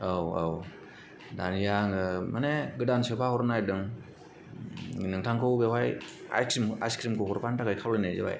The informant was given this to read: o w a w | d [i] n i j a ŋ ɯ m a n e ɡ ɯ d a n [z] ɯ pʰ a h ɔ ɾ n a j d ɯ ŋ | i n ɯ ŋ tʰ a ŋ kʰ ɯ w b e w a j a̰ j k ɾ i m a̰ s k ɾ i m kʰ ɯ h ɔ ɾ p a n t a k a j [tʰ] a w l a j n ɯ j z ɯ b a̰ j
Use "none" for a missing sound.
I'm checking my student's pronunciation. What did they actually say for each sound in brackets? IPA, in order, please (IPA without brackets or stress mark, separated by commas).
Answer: a, s, kʰ